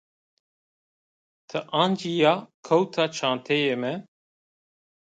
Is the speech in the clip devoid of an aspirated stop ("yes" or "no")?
no